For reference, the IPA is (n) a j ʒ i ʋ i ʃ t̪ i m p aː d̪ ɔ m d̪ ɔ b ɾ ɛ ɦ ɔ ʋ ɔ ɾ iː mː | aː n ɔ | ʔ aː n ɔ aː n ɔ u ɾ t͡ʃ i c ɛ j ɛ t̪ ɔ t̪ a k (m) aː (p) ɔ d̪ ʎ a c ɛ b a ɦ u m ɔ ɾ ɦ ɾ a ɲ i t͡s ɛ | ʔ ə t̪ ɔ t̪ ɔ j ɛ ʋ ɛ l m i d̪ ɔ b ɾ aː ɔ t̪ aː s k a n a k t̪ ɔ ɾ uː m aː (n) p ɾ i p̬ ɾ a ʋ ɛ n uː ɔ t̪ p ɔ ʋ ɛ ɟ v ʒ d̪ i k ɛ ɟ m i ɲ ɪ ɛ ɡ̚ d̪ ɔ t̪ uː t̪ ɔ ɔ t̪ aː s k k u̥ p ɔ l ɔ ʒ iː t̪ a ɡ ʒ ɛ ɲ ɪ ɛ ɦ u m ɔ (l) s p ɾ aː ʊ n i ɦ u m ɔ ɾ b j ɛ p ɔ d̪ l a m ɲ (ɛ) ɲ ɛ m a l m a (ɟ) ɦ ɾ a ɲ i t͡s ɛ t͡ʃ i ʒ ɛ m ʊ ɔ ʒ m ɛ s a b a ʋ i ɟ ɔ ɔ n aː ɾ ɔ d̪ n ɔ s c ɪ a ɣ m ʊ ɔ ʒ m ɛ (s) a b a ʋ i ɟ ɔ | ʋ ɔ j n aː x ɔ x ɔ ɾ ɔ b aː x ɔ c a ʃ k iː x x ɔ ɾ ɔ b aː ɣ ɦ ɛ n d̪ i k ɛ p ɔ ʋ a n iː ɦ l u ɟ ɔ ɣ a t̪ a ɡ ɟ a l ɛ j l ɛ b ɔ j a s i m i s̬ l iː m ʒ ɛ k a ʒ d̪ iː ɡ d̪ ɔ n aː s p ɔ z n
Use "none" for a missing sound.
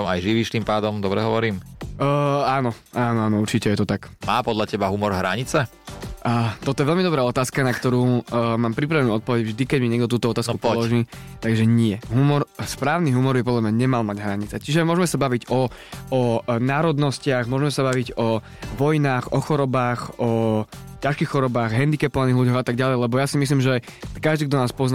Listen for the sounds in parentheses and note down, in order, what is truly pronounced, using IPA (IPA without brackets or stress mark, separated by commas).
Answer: m, m, p, m, ɾ, a, ɟ, s